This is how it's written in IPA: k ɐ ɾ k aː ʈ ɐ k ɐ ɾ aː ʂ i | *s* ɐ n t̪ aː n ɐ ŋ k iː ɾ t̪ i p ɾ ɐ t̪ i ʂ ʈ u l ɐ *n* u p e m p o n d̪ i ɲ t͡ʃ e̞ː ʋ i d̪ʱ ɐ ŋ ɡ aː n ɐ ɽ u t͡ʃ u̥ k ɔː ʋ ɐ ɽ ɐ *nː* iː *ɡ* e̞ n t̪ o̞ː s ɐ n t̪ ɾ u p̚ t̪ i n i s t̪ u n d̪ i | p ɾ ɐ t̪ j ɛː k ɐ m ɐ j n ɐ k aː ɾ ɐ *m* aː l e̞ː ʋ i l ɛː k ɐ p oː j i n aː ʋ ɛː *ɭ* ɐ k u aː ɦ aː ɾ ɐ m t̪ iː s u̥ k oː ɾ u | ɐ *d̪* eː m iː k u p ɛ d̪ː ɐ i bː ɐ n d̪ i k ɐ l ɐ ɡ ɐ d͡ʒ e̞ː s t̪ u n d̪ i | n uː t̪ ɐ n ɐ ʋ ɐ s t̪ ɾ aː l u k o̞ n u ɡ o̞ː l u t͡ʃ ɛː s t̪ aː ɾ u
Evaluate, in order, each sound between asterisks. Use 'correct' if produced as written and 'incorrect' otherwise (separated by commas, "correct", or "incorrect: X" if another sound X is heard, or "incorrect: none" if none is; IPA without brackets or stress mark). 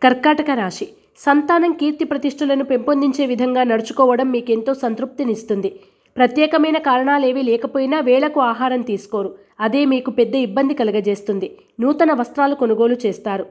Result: correct, correct, incorrect: mː, incorrect: k, incorrect: ɳ, correct, correct